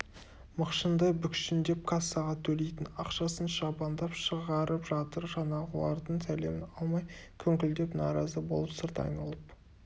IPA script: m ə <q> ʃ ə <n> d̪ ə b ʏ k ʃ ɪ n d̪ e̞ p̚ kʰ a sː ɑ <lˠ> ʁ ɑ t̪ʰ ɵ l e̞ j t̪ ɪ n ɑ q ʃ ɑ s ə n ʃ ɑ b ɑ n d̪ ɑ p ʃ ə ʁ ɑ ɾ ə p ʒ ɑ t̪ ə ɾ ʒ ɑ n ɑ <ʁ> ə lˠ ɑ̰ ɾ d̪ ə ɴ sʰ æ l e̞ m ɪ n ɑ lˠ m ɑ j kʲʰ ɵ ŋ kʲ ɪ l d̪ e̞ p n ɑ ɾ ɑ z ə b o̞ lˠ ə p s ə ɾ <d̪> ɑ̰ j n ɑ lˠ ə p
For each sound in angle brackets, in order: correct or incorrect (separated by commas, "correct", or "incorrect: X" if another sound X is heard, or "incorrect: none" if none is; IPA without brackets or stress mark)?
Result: correct, correct, incorrect: none, correct, incorrect: t̪